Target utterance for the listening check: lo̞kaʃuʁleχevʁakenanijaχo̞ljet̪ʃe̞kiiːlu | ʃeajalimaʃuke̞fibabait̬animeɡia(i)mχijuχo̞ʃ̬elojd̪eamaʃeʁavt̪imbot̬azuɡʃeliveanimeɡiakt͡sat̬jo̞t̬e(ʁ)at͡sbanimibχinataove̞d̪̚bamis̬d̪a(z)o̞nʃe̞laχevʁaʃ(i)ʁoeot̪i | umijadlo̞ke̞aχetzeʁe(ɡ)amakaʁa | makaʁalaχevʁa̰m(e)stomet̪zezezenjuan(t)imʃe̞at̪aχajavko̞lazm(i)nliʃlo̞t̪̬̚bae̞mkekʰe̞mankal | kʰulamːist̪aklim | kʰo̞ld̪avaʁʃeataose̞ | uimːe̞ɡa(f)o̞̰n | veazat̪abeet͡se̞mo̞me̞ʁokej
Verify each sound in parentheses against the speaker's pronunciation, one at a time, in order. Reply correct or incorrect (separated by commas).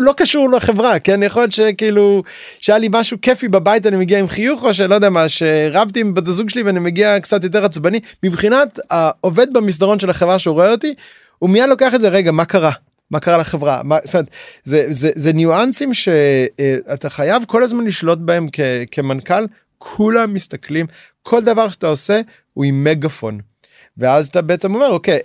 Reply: correct, correct, incorrect, incorrect, correct, incorrect, incorrect, incorrect, correct